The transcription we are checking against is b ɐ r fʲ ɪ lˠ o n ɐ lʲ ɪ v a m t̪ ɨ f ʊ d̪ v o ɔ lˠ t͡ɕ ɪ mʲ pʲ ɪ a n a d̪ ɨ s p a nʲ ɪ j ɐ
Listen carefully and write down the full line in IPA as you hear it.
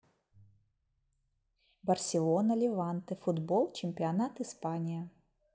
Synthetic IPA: b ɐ r sʲ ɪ lˠ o n ɐ lʲ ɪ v a n t̪ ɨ f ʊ d̪ b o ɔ lˠ t͡ɕ ɪ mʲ pʲ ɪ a n a t̪ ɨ s p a nʲ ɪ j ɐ